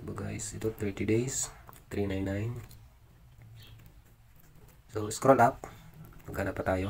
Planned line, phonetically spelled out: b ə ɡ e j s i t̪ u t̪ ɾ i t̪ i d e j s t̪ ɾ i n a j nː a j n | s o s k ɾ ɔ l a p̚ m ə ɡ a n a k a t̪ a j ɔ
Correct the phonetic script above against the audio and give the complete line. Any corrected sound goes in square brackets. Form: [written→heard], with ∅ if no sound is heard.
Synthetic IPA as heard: b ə ɡ [e→a] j s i t̪ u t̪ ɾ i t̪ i d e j s t̪ ɾ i n a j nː a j n | s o s k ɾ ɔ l a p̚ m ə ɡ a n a [k→p] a t̪ a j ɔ